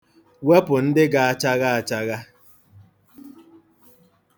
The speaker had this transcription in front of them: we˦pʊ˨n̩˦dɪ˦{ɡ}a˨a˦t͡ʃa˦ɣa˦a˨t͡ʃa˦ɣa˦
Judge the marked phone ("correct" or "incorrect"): correct